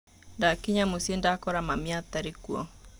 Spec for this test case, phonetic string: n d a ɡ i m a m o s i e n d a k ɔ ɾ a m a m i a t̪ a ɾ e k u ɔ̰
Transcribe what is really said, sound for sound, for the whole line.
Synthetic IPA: n d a k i ɲ a m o s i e n d a k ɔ ɾ a m a m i a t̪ a ɾ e k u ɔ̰